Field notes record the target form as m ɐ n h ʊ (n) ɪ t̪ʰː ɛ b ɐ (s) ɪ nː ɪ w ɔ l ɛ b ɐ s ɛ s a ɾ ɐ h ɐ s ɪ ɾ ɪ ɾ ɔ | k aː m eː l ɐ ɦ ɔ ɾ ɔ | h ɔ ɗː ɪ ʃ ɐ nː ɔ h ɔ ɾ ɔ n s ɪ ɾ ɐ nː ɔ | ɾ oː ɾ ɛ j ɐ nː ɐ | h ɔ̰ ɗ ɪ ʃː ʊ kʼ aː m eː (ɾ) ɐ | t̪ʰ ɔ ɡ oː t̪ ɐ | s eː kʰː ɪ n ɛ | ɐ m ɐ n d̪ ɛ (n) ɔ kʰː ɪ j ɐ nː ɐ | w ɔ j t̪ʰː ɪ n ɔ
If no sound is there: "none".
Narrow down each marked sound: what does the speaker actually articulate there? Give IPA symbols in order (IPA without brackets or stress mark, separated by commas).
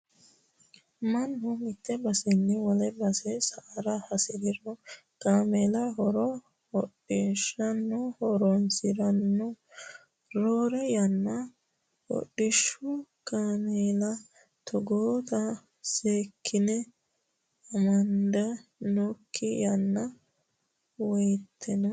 m, s, l, n